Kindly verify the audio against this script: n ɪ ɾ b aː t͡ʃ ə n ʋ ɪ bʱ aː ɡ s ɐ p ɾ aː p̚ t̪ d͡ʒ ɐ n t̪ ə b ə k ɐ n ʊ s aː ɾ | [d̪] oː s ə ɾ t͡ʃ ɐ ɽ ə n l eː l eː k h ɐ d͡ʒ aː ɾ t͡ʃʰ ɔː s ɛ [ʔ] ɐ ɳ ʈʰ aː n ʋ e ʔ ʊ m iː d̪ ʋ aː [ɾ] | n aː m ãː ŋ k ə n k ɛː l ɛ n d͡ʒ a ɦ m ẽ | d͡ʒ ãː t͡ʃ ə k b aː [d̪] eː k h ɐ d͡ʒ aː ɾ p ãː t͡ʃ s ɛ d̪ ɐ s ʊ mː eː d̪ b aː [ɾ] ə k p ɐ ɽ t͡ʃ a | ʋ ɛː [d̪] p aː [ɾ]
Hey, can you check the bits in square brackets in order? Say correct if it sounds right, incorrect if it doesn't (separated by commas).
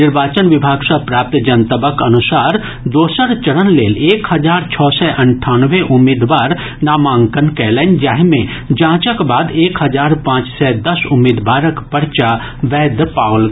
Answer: correct, correct, correct, correct, correct, correct, incorrect